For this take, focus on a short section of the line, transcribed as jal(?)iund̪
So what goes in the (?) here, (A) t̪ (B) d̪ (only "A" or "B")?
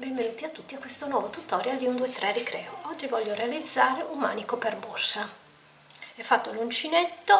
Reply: B